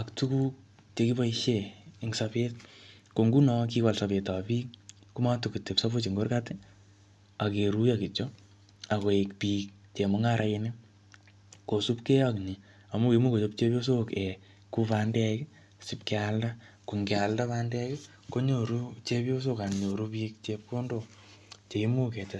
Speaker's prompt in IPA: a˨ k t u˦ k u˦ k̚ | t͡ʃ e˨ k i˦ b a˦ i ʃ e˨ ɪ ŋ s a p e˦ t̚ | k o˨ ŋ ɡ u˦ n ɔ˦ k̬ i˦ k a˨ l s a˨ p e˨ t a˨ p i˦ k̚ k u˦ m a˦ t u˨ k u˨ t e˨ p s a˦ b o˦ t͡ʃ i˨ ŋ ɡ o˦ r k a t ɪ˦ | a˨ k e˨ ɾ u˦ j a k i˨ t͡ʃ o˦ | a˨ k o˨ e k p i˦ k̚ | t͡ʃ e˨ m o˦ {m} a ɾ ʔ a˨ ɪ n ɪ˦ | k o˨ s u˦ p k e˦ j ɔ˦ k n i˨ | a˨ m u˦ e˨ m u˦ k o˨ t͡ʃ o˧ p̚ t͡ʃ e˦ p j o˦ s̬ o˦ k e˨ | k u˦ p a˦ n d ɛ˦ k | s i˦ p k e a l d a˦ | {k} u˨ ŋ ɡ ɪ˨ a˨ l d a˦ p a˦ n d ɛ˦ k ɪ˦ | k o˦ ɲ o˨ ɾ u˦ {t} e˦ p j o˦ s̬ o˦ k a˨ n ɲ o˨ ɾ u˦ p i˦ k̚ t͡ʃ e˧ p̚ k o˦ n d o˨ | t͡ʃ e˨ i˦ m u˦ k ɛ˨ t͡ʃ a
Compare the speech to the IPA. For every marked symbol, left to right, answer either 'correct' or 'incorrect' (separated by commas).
incorrect, correct, incorrect